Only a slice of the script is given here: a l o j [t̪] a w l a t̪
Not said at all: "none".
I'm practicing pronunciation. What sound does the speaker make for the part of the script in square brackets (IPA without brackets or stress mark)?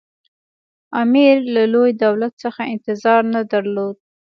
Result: d̪